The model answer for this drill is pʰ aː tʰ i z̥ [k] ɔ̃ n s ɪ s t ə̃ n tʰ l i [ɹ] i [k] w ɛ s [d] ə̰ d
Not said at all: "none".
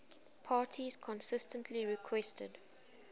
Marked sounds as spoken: kʰ, ɹ, kʰ, t

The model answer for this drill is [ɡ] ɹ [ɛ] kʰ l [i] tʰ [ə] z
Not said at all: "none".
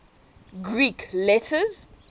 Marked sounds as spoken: ɡ, i, ɛ, ə

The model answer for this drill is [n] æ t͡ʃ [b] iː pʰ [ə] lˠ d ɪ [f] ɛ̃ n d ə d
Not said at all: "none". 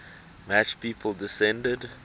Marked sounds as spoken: m, p, ə, s

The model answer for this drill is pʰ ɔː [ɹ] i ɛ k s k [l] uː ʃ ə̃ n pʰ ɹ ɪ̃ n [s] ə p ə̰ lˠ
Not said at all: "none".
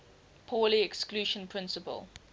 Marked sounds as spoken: l, l, s

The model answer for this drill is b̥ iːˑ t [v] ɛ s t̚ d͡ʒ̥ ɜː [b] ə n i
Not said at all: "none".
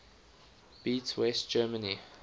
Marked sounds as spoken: w, m

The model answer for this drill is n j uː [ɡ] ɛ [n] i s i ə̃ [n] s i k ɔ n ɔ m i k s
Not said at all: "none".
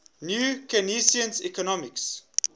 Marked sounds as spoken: k, n, n

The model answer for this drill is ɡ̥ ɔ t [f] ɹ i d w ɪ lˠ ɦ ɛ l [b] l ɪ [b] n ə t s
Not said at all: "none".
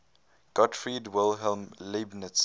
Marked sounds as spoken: f, m, b

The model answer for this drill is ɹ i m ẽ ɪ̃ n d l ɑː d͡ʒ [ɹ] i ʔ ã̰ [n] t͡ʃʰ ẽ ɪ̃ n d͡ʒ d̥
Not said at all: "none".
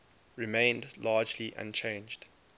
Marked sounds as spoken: l, n

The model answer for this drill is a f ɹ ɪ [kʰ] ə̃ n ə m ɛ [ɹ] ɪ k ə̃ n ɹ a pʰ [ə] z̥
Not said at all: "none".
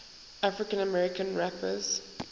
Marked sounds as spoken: k, ɹ, ə

